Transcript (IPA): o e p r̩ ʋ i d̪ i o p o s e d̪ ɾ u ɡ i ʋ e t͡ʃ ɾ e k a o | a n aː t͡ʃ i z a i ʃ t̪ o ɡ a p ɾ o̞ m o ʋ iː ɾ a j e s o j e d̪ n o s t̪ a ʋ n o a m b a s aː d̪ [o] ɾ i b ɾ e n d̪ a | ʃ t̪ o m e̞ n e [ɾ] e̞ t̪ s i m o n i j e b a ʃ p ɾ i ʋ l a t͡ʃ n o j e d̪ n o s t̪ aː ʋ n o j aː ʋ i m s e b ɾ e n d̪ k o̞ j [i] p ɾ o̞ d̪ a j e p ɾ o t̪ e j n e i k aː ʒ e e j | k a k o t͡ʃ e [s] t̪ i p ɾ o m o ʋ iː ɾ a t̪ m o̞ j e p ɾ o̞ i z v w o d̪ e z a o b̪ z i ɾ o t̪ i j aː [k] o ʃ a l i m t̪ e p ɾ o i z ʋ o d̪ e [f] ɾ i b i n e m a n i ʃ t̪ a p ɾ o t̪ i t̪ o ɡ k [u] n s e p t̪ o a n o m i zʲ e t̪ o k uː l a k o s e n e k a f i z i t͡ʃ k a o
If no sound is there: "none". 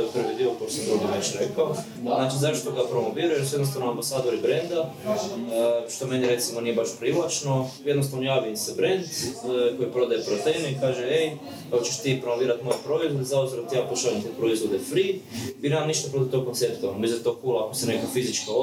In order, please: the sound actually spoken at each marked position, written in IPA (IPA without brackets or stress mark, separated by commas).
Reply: o, ɾ, i, ʃ, p, f, o